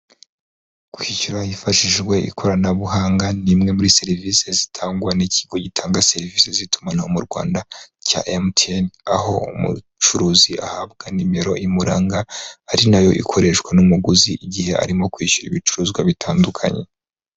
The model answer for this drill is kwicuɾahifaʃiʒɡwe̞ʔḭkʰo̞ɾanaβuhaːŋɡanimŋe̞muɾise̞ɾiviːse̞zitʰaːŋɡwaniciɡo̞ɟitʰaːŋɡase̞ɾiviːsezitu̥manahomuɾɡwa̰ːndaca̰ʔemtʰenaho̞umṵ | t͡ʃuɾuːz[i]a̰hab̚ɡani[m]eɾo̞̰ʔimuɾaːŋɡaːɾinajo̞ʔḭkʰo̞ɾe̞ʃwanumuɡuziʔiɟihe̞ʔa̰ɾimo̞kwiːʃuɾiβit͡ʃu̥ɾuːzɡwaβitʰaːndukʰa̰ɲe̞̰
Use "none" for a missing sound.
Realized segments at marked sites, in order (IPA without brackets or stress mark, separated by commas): i, m